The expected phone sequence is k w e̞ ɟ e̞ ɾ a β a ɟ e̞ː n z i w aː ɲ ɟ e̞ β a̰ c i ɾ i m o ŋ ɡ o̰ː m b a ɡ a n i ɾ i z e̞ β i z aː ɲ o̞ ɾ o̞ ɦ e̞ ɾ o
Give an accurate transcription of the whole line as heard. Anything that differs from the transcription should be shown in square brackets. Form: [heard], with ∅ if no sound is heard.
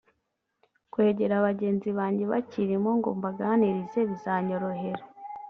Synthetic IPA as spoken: k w e̞ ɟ e̞ ɾ a β a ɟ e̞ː n z i [β] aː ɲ ɟ e̞ β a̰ c i ɾ i m o ŋ ɡ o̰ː m b a ɡ a n i ɾ i z e̞ β i z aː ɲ o̞ ɾ o̞ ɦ e̞ ɾ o